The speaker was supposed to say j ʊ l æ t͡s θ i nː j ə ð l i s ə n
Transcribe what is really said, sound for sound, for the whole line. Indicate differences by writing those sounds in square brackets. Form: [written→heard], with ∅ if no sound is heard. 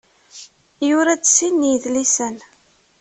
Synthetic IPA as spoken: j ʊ [l→ɾ] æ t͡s [θ→s] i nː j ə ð l i s ə n